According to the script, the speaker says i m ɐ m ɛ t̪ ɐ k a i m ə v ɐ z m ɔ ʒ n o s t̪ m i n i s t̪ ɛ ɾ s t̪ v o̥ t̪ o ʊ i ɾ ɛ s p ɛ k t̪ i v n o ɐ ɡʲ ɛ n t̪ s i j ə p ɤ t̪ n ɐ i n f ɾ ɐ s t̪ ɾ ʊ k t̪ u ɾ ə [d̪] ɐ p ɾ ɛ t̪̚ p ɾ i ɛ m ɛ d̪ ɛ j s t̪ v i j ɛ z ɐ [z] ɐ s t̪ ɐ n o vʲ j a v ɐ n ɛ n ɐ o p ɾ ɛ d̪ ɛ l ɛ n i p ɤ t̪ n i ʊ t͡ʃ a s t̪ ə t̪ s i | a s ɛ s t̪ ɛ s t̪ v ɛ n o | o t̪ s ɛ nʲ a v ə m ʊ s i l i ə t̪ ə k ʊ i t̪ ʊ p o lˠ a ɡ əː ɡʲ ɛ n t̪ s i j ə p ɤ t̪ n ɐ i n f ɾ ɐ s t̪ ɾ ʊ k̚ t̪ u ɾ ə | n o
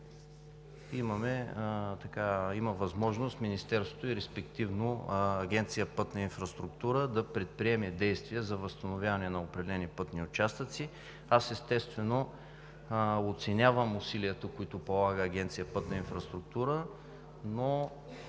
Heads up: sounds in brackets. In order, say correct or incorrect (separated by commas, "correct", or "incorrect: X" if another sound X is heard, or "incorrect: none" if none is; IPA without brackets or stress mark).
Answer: correct, incorrect: v